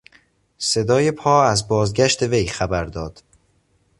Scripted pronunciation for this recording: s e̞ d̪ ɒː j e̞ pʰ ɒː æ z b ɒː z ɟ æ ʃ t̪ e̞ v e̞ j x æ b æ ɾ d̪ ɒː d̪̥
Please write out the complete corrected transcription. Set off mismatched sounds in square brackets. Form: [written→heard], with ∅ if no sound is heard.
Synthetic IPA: s e̞ d̪ ɒː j e̞ pʰ ɒː æ z b ɒː z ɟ æ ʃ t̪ e̞ v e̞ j x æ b æ ɾ d̪ ɒː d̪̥